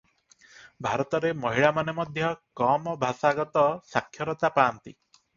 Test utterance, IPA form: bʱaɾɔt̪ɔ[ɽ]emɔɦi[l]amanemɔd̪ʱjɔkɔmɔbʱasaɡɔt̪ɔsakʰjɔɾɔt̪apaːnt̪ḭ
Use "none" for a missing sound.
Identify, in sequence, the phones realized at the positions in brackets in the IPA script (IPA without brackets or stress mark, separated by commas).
ɾ, ɭ